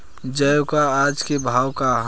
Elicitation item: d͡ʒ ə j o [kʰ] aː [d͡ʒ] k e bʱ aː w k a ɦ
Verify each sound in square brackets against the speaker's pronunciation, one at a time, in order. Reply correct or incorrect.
incorrect, correct

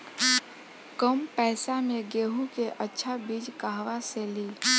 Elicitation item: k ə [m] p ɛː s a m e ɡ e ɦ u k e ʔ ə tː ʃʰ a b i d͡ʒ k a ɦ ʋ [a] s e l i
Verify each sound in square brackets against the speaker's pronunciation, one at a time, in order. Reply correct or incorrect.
correct, correct

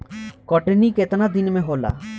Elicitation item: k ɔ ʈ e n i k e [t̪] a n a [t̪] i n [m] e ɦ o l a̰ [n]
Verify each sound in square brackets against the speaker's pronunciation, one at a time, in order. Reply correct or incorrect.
correct, incorrect, correct, incorrect

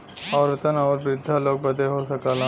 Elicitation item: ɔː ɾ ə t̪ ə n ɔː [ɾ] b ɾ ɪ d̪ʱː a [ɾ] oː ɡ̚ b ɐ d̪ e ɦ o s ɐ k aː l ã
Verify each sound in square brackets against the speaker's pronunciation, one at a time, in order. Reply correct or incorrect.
correct, incorrect

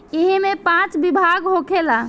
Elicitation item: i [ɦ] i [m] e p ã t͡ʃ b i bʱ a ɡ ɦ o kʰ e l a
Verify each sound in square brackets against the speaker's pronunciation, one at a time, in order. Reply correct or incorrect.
correct, correct

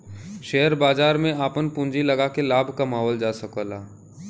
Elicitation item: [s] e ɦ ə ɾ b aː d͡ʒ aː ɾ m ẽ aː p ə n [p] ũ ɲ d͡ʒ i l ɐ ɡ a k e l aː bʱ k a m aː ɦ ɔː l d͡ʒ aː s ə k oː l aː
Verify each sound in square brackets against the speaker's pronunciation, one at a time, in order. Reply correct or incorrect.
incorrect, correct

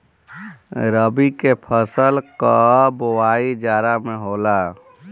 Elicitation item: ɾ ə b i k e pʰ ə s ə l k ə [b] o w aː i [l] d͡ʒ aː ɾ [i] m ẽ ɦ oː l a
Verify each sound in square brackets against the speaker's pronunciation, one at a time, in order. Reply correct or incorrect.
correct, incorrect, incorrect

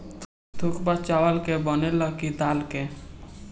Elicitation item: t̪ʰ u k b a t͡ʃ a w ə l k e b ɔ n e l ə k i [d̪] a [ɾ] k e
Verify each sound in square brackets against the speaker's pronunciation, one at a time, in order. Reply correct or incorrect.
correct, incorrect

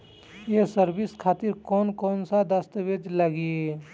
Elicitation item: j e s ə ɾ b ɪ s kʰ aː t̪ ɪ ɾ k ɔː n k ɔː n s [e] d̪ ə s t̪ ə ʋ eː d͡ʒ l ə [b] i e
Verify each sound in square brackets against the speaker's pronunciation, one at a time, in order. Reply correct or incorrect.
incorrect, incorrect

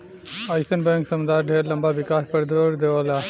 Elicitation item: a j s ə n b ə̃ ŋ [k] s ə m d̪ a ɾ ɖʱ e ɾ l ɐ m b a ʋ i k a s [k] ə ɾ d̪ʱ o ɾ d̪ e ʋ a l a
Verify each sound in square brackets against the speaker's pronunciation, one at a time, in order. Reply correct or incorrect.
correct, incorrect

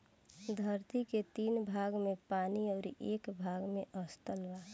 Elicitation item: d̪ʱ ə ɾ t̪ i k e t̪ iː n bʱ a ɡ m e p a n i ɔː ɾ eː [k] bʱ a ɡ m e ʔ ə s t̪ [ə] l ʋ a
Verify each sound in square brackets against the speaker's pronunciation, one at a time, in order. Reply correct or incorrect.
correct, correct

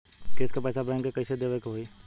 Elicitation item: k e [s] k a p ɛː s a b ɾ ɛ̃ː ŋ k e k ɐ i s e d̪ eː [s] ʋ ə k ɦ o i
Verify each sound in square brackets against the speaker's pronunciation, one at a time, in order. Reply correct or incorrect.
correct, incorrect

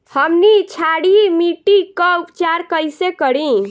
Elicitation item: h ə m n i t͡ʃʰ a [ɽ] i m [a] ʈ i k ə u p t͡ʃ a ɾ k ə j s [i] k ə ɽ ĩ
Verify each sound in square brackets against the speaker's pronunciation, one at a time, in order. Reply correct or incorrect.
correct, incorrect, incorrect

